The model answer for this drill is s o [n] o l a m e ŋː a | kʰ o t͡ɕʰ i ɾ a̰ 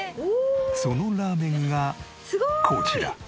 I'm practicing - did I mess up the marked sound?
no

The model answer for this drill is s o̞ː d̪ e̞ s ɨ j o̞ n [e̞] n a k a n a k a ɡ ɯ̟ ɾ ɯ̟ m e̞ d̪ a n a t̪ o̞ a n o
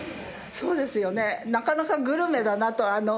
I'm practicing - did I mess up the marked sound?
no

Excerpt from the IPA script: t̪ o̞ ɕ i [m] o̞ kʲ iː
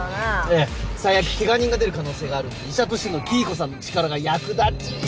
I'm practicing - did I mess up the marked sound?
yes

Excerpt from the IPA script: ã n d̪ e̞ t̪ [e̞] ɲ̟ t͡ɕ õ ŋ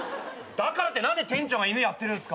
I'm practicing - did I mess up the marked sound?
yes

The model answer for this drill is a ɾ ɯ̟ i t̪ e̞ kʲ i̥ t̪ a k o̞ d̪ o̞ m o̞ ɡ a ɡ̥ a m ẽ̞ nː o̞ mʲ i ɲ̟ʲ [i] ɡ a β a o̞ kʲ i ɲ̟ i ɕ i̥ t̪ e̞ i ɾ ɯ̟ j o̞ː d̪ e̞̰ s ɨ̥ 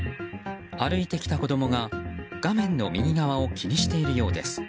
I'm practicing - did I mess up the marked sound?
no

